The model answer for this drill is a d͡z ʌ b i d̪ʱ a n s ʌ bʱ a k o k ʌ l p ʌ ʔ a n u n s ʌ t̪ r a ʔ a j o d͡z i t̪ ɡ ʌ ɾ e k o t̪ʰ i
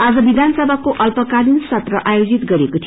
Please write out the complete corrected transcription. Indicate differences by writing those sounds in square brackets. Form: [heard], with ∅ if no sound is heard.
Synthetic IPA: a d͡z ʌ b i d̪ʱ a n s ʌ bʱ a k o [ʔ] ʌ l p ʌ [k] a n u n s ʌ t̪ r [ʌ] ʔ a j o d͡z i t̪ ɡ ʌ ɾ e k o t̪ʰ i